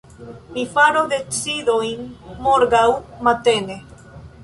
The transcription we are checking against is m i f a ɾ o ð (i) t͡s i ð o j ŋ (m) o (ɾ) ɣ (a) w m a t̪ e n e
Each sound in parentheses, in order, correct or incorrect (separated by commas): incorrect, correct, correct, correct